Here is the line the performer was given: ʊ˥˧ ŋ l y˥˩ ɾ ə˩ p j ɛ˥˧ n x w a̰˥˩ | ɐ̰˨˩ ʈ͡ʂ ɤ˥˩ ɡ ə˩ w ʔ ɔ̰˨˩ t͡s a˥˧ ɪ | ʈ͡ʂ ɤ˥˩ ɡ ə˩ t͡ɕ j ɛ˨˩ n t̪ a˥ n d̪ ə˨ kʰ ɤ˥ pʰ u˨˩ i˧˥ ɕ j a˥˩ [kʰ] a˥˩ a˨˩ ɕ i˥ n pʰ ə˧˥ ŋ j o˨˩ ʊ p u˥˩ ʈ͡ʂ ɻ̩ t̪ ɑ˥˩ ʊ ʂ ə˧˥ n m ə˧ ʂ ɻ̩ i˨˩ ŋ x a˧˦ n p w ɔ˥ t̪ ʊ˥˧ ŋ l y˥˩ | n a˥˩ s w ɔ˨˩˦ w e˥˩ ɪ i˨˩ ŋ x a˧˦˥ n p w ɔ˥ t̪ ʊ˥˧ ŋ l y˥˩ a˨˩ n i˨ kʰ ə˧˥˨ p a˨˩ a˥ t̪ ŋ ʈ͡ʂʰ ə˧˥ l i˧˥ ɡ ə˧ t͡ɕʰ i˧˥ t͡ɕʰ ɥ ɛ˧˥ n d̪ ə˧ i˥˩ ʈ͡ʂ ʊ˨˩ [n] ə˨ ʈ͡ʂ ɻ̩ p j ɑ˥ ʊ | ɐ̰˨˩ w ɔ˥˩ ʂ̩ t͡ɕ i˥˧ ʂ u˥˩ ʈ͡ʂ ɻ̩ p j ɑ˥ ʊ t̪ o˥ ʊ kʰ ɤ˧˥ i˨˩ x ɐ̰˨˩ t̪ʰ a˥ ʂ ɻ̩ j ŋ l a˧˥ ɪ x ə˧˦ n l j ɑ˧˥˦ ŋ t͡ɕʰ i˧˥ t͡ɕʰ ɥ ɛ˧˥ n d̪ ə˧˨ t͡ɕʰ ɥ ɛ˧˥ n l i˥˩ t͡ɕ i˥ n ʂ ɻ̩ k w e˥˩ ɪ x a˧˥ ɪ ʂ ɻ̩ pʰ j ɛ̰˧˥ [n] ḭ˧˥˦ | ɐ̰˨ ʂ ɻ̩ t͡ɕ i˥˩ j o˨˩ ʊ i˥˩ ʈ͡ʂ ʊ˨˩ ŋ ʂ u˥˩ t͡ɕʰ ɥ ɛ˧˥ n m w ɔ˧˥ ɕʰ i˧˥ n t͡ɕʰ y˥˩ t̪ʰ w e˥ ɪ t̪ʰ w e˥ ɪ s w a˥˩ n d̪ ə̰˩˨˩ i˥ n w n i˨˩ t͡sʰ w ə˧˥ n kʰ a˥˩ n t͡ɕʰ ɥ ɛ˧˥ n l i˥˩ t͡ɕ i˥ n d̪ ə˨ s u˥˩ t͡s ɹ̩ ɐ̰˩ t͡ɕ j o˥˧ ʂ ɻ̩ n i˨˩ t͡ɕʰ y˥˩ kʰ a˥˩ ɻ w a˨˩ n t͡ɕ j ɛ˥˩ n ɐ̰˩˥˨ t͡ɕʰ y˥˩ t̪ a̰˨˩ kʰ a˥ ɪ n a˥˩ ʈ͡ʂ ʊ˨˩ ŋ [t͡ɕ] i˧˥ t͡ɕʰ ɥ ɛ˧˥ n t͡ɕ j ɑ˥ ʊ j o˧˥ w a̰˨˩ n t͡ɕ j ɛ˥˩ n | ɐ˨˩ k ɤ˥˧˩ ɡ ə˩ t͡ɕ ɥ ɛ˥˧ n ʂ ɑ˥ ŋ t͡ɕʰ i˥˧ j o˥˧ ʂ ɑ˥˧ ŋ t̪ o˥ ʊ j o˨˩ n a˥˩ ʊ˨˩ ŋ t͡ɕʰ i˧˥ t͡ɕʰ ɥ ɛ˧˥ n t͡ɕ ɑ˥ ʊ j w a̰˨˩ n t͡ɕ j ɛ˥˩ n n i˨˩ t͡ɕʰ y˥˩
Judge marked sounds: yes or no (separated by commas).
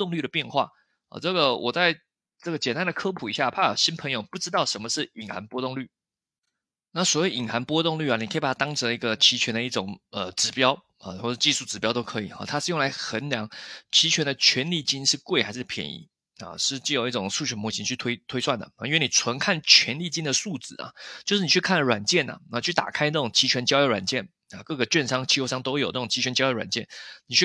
no, no, yes, no